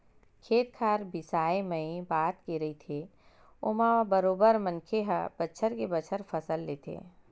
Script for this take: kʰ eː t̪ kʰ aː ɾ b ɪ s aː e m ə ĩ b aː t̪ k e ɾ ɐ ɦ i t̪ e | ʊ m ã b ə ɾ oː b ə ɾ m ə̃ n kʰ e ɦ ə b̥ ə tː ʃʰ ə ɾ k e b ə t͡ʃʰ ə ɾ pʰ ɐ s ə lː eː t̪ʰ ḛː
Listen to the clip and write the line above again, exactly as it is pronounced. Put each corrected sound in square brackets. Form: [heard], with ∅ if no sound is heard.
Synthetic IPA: kʰ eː t̪ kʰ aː ɾ b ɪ s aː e m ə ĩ b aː t̪ k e ɾ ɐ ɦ i [t̪ʰ] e | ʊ m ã b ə ɾ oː b ə ɾ m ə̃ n kʰ e ɦ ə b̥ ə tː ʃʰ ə ɾ k e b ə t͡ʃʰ ə ɾ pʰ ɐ s ə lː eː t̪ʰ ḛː